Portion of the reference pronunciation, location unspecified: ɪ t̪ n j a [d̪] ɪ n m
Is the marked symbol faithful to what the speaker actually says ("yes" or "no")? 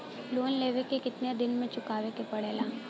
yes